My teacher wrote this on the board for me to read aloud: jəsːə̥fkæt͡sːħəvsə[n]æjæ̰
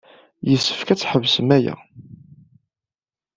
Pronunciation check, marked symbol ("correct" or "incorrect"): incorrect